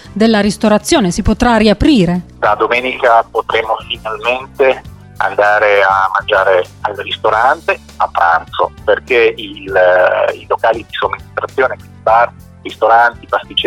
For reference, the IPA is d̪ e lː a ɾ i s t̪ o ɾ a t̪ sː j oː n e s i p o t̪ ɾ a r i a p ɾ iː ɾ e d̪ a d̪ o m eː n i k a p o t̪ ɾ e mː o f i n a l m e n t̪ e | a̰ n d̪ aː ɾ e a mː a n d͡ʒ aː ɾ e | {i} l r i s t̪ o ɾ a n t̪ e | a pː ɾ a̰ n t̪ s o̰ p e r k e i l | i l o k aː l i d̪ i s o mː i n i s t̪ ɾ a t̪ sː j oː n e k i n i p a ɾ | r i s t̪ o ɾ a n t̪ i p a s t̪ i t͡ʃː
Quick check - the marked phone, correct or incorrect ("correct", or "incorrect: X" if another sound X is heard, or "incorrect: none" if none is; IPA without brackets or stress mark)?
incorrect: a